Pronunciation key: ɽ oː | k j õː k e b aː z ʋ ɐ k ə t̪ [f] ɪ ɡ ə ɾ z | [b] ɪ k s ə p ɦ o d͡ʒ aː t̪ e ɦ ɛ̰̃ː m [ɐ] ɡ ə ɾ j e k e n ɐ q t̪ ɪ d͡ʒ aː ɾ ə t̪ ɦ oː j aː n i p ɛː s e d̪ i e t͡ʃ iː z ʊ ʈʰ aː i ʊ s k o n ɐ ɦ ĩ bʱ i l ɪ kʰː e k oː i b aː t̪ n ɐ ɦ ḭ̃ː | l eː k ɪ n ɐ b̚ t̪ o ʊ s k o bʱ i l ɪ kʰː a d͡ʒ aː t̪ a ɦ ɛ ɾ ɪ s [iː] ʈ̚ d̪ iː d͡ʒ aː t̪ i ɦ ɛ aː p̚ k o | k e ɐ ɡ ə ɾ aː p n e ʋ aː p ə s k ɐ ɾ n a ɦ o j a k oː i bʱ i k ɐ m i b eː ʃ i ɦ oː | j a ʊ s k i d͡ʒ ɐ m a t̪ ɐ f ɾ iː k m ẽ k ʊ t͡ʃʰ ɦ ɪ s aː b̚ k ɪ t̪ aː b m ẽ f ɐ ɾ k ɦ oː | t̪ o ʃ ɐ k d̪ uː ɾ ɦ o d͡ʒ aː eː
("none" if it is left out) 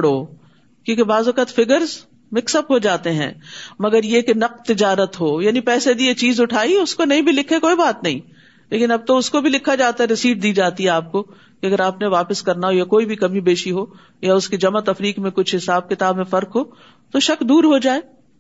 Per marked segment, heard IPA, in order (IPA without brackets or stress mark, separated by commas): f, m, ɐ, iː